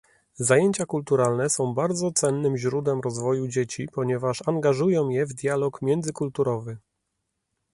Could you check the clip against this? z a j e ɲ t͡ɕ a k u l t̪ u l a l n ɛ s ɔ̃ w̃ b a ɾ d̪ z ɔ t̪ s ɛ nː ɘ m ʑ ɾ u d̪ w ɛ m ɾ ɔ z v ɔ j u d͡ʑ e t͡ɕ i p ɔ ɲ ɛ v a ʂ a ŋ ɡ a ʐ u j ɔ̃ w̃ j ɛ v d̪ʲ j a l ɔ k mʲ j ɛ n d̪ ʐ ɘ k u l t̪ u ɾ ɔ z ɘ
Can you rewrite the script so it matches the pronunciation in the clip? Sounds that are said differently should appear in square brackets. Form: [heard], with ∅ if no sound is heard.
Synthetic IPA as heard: z a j e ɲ t͡ɕ a k u l t̪ u [ɾ] a l n ɛ s ɔ̃ w̃ b a ɾ d̪ z ɔ t̪ s ɛ nː ɘ m ʑ ɾ u d̪ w ɛ m ɾ ɔ z v ɔ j u d͡ʑ e t͡ɕ i p ɔ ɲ ɛ v a ʂ a ŋ ɡ a ʐ u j ɔ̃ w̃ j ɛ v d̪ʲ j a l ɔ k mʲ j ɛ n d̪ [z] ɘ k u l t̪ u ɾ ɔ [v] ɘ